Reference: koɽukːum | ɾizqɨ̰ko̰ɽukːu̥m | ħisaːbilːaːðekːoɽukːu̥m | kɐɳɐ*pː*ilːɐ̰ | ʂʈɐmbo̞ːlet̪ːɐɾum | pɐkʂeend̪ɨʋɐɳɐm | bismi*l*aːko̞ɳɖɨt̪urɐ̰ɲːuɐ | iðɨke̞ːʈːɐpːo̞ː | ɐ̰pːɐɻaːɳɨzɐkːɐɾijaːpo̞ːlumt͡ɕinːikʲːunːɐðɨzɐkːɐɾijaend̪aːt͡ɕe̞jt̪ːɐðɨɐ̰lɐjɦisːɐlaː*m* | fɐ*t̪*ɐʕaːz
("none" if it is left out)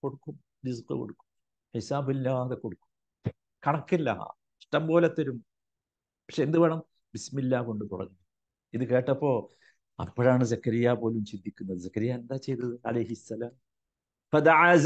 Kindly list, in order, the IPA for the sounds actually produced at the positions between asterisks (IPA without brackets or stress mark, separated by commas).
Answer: kː, lː, m, d̪